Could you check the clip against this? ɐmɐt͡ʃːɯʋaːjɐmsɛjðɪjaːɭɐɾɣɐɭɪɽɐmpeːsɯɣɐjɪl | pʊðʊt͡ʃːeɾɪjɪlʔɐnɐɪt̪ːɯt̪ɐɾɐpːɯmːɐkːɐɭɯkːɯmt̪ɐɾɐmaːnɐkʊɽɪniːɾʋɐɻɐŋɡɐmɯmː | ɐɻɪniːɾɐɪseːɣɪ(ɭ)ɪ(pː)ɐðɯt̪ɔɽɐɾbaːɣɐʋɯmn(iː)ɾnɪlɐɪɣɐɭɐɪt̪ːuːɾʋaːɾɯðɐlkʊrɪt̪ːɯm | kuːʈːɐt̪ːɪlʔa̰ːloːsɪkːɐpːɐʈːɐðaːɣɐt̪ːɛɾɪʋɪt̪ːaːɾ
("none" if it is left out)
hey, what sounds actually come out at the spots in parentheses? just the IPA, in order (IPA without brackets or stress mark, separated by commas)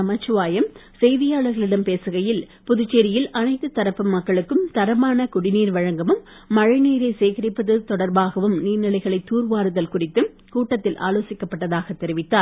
ɾ, pː, iː